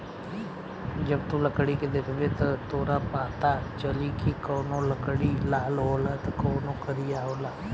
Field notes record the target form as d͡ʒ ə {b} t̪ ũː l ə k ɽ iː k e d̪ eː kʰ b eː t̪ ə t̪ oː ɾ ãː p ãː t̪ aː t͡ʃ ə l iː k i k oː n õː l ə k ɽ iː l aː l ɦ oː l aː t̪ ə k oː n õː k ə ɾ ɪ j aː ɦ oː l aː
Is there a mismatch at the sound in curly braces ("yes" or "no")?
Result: no